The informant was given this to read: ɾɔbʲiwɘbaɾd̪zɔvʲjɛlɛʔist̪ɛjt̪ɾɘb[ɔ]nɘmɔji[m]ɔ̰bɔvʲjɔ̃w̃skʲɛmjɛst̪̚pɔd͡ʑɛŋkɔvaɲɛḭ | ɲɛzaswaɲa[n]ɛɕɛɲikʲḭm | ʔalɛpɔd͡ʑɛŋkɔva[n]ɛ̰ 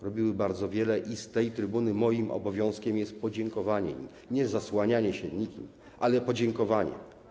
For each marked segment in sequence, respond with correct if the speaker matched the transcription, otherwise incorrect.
incorrect: u, correct, incorrect: ɲ, incorrect: ɲ

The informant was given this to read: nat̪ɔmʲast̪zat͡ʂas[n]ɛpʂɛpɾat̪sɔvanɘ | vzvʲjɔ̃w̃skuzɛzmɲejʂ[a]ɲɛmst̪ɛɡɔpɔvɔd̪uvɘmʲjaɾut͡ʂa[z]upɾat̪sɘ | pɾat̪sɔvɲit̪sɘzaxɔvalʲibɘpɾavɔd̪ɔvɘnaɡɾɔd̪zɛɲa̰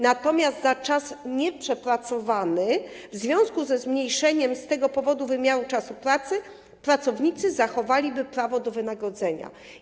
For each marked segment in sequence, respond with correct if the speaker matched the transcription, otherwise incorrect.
incorrect: ɲ, incorrect: ɛ, incorrect: s

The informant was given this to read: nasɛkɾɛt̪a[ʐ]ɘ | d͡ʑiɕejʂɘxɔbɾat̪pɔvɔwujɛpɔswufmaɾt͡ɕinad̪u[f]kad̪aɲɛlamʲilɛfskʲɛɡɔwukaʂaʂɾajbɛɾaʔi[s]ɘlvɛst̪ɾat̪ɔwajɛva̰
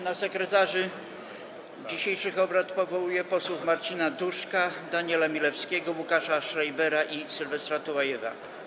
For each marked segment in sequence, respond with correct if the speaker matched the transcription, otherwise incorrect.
correct, incorrect: ʂ, correct

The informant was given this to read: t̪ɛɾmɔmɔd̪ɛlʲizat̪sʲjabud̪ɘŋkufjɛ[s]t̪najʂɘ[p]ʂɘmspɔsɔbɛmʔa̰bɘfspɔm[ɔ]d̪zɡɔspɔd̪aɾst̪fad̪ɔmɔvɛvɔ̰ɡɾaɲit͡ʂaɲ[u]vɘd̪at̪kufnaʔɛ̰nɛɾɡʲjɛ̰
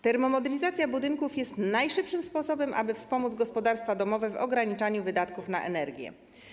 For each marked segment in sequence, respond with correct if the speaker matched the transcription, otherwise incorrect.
correct, correct, incorrect: u, correct

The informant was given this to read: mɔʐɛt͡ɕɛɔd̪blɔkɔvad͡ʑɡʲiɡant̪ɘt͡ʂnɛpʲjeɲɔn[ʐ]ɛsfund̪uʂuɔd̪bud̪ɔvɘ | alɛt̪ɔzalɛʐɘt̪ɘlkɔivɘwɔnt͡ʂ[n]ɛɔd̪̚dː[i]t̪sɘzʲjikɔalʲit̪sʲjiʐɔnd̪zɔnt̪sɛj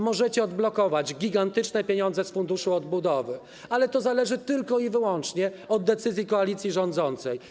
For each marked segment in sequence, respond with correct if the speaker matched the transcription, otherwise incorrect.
incorrect: z, incorrect: ɲ, incorrect: ɛ

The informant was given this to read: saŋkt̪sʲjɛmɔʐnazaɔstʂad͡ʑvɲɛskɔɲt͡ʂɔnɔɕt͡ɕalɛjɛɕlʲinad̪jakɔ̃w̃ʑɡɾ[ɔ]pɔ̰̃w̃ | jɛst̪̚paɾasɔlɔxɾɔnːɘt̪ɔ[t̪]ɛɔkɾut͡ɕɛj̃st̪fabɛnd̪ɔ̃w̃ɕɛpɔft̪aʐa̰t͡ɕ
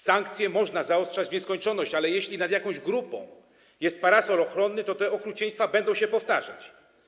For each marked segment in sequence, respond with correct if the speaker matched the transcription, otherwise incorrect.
incorrect: u, correct

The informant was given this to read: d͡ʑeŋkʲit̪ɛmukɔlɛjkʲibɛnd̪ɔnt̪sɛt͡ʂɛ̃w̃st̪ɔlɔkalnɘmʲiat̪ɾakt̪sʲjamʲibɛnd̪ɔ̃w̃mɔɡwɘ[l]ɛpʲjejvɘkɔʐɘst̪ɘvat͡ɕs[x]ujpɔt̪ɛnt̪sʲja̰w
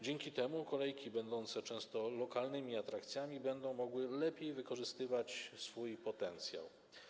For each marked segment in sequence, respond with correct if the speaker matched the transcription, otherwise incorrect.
correct, incorrect: f

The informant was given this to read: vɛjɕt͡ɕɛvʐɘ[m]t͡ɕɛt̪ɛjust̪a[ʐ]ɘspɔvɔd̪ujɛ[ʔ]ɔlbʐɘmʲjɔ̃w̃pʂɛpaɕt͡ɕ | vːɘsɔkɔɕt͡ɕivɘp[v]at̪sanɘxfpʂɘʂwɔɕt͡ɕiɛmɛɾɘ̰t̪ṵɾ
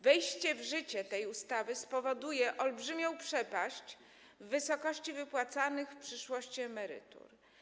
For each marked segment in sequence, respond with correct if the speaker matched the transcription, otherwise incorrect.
incorrect: none, incorrect: v, correct, incorrect: w

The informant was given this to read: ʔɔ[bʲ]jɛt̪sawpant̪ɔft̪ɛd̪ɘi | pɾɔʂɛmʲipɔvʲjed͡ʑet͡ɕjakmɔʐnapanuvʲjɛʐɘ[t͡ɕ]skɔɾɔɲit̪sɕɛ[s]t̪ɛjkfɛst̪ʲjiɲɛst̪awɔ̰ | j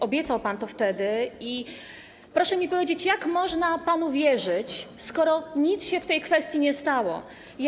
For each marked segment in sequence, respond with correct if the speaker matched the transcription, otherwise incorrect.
correct, correct, incorrect: f

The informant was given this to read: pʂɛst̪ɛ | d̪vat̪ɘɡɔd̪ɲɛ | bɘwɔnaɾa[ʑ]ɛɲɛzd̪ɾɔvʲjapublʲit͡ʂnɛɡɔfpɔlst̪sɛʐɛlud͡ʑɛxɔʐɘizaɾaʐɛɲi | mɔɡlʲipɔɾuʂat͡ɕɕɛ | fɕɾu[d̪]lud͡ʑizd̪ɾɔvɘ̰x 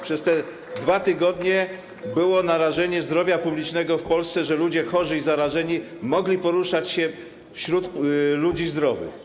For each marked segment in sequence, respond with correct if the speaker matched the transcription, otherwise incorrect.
incorrect: ʐ, incorrect: t̪

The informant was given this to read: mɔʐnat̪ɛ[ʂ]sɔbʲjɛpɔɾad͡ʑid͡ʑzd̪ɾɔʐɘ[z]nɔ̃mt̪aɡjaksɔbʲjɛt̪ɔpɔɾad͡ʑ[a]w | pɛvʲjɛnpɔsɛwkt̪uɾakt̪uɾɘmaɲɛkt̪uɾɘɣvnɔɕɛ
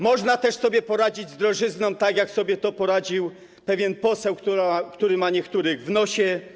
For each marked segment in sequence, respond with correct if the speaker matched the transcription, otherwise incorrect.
correct, correct, incorrect: i

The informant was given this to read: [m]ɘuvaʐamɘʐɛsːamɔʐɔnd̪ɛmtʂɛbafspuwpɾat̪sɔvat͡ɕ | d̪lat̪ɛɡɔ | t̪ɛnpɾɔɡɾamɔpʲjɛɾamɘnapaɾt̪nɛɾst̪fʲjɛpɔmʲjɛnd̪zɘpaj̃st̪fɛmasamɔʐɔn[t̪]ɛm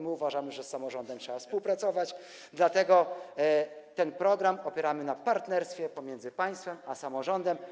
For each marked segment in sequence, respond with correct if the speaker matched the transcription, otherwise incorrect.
correct, incorrect: d̪

